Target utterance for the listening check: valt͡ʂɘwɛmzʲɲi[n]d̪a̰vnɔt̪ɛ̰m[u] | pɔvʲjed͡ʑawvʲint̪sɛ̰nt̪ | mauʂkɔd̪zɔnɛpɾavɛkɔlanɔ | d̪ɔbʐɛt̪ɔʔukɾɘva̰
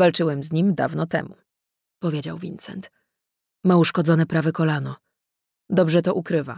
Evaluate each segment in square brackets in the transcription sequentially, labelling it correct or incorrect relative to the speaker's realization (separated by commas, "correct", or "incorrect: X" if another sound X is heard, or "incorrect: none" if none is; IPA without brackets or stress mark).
incorrect: m, correct